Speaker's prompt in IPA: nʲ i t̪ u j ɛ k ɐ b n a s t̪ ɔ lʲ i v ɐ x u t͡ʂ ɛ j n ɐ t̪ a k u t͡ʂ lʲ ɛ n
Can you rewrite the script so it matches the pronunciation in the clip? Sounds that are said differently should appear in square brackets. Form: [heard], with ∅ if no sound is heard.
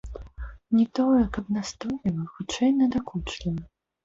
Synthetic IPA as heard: nʲ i t̪ [ɔ] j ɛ k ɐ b n a s t̪ ɔ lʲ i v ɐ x u t͡ʂ ɛ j n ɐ [d̪] a k u t͡ʂ lʲ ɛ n